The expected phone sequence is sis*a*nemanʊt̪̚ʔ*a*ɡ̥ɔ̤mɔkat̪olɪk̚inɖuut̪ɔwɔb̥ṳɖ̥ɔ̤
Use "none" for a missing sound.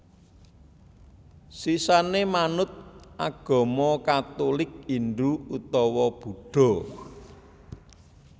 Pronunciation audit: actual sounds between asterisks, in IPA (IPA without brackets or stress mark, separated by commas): a, a